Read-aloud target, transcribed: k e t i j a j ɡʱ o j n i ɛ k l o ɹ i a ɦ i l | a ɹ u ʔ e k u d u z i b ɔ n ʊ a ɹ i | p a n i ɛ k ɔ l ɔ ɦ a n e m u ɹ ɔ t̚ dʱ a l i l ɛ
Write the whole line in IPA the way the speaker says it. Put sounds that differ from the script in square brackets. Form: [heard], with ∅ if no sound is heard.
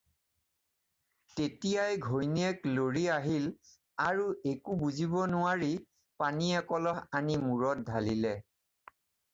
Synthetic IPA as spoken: [t] e t i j a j ɡʱ o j n i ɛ k l o ɹ i a ɦ i l | a ɹ u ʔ e k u [b] u z i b ɔ n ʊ a ɹ i | p a n i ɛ k ɔ l ɔ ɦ a n [i] m u ɹ ɔ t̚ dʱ a l i l ɛ

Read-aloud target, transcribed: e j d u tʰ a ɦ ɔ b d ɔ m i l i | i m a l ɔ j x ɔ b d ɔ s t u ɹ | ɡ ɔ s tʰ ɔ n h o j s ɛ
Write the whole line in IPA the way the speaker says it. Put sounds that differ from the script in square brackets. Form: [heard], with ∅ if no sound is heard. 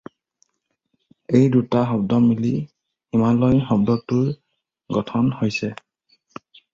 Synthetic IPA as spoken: e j d u [t] a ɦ ɔ b d ɔ m i l i | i m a l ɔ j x ɔ b d ɔ [∅] t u ɹ | ɡ ɔ [∅] tʰ ɔ n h o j s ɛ

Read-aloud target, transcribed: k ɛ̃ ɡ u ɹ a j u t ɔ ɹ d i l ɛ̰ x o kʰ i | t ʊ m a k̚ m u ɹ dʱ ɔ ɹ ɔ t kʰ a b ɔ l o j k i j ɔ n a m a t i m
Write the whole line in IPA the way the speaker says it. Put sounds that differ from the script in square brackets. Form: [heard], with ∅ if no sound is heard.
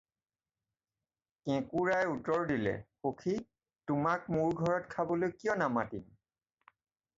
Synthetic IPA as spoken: k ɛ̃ [k] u ɹ a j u t ɔ ɹ d i l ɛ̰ x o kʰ i | t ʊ m a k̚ m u ɹ [ɡʱ] ɔ ɹ ɔ t kʰ a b ɔ l o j k i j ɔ n a m a t i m

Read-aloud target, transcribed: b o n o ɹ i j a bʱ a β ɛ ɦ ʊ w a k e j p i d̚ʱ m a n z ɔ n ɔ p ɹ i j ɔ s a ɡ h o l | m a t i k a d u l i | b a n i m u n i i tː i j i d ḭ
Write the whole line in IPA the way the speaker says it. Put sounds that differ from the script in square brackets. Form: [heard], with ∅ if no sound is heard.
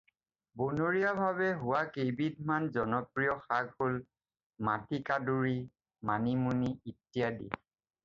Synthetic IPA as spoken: b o n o ɹ i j a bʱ a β ɛ ɦ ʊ w a k e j [b] i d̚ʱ m a n z ɔ n ɔ p ɹ i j ɔ [x] a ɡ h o l | m a t i k a d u [ɹ] i | [m] a n i m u n i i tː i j [a] d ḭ

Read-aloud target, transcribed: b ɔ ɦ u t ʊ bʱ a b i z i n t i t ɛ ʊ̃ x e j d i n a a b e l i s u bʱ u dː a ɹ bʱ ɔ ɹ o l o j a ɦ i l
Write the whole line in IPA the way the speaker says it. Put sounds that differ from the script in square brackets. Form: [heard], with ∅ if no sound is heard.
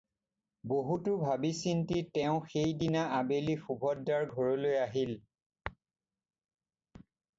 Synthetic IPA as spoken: b [o] ɦ u t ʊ bʱ a b i [s] i n t i t ɛ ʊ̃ x e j d i n a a b e l i [x] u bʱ [ɔ] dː a ɹ [ɡʱ] ɔ ɹ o l o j a ɦ i l

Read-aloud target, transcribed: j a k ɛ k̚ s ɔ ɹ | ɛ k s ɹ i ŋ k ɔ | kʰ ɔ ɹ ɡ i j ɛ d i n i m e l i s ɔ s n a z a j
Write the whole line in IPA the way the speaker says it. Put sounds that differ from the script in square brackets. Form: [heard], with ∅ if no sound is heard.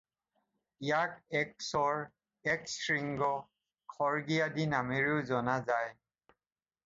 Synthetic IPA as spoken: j a k ɛ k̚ s ɔ ɹ | ɛ k s ɹ i ŋ [ɡ] ɔ | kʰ ɔ ɹ ɡ i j [a] d i n [a] m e [ɹ] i [z] ɔ [∅] n a z a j

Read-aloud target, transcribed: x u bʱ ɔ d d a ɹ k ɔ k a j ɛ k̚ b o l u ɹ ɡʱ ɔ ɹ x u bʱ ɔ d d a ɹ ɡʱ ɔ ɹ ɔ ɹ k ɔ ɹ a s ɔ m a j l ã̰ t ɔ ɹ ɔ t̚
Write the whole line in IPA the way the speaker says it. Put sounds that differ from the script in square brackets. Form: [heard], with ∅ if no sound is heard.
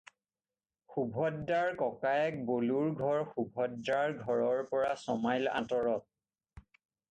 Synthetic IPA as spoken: x u bʱ ɔ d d a ɹ k ɔ k a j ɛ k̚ b o l u ɹ ɡʱ ɔ ɹ x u bʱ ɔ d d a ɹ ɡʱ ɔ ɹ ɔ ɹ [p] ɔ ɹ a s ɔ m a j l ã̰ t ɔ ɹ ɔ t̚

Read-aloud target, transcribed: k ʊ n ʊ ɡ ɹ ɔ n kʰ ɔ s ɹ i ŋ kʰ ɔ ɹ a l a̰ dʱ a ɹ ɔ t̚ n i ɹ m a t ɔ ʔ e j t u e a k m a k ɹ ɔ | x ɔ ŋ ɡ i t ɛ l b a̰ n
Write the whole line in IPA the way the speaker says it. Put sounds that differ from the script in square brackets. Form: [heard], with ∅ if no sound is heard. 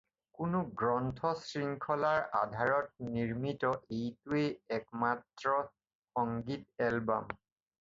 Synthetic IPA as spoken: k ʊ n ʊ ɡ ɹ ɔ n [tʰ] ɔ s ɹ i ŋ kʰ ɔ [l] a [ɹ] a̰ dʱ a ɹ ɔ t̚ n i ɹ m [i] t ɔ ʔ e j t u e [ɛ] k m a [t] ɹ ɔ | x ɔ ŋ ɡ i t ɛ l b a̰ [m]

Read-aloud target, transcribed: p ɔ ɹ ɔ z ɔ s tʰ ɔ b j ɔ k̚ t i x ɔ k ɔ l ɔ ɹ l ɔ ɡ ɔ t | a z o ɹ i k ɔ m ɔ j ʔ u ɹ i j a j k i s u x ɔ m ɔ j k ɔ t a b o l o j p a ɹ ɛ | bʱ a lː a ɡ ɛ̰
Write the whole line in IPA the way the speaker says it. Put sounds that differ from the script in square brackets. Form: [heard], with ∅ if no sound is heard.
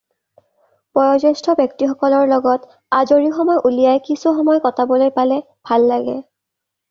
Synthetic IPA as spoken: p ɔ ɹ ɔ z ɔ s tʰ ɔ b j ɔ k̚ t i x ɔ k ɔ l ɔ ɹ l ɔ ɡ ɔ t | a z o ɹ i [x] ɔ m ɔ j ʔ u [l] i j a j k i s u x ɔ m ɔ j k ɔ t a b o l o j p a [l] ɛ | bʱ a lː a ɡ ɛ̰

